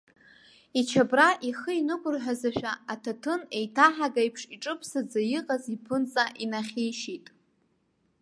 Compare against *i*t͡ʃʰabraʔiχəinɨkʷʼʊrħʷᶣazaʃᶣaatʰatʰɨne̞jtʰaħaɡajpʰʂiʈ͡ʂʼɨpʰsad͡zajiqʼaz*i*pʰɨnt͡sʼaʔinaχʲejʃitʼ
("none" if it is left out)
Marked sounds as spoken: i, i

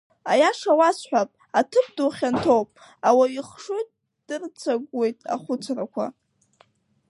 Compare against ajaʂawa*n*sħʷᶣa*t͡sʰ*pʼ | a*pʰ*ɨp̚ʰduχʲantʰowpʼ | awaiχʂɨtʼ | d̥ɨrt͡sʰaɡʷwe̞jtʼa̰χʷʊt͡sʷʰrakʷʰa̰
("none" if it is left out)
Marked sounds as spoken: none, none, tʰ

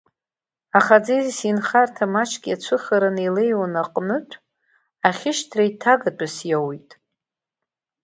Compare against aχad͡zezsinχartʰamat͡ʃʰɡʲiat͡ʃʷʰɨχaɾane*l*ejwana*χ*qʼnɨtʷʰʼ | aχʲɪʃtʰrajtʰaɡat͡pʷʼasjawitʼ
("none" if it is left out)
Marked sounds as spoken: l, none

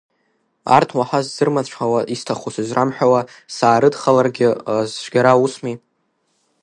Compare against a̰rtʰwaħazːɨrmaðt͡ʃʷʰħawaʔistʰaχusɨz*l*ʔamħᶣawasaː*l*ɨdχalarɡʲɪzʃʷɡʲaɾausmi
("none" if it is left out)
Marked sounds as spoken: r, ɾ

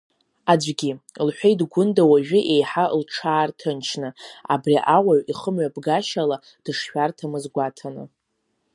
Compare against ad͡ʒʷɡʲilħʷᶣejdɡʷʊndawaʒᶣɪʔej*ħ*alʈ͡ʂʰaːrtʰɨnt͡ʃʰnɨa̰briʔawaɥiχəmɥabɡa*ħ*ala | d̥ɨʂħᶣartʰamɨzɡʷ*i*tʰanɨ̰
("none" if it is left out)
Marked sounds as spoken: ħ, ʃ, a

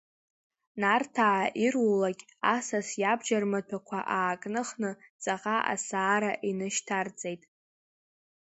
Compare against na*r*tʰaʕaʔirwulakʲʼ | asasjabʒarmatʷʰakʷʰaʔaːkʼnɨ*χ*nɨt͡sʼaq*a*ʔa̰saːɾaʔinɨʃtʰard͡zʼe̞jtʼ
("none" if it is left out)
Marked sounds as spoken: r, χ, a

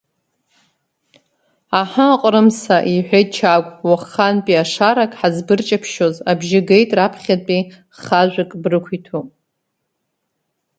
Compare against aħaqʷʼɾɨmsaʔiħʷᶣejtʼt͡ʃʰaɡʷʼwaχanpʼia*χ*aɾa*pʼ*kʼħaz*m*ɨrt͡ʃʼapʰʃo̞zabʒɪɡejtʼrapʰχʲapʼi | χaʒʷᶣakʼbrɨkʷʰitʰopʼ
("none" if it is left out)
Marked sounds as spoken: ʂ, none, b

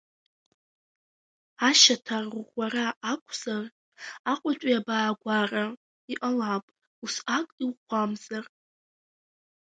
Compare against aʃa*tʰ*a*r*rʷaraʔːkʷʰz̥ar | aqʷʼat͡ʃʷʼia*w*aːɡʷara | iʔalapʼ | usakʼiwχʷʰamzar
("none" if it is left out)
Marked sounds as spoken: tʰ, r, b

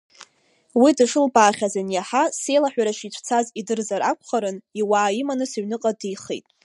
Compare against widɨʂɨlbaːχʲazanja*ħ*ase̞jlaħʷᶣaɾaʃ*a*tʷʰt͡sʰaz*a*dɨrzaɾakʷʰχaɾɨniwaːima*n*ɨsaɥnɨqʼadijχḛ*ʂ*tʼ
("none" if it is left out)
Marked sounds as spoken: ħ, i, i, n, none

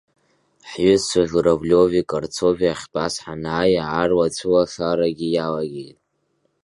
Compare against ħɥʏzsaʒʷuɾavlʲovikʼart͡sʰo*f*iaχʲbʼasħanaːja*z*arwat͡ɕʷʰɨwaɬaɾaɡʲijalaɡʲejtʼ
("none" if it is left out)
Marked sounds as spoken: v, ʕ

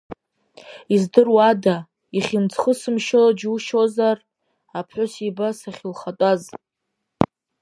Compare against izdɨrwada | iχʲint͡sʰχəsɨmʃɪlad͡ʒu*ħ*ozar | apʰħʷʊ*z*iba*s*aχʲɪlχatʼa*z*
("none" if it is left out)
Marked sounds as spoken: ʃ, s, s, z

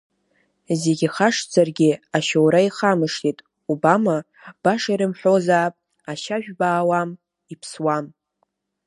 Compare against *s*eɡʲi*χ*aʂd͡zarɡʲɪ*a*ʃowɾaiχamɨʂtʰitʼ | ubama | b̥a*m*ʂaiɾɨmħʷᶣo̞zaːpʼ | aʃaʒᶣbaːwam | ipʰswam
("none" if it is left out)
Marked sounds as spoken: z, χ, a, none

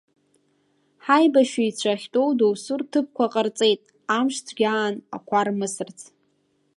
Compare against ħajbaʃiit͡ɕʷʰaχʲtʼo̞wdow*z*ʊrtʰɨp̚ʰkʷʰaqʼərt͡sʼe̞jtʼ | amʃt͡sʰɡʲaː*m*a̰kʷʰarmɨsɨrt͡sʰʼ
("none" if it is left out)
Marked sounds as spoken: s, n

